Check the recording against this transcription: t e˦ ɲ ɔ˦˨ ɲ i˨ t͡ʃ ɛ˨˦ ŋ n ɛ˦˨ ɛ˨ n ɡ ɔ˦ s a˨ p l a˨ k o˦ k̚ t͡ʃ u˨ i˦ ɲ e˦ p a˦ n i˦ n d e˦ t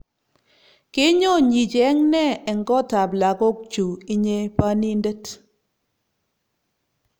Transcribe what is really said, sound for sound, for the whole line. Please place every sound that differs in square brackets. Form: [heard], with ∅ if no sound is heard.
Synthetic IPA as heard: [k] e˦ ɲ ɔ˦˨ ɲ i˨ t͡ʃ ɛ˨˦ ŋ n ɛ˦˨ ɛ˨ [ŋ] ɡ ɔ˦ [t] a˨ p l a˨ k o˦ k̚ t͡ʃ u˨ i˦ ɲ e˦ p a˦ n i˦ n d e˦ t